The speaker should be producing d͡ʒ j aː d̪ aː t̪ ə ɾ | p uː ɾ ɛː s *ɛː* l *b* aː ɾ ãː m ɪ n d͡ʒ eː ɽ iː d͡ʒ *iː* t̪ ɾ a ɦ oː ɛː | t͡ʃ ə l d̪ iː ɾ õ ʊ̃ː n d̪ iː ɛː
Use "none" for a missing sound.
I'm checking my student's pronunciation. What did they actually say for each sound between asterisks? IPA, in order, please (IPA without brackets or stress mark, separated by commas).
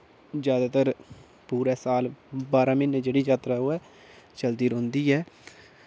aː, b, aː